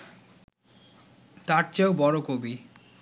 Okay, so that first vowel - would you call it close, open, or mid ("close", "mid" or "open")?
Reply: open